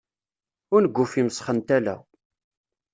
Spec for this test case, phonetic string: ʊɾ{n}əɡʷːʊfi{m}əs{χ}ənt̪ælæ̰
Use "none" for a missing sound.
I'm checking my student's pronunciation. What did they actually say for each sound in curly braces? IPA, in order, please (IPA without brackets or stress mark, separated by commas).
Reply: n, m, χ